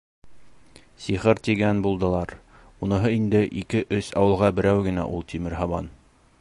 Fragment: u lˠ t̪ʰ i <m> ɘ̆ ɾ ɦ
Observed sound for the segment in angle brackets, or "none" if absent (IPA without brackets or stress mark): m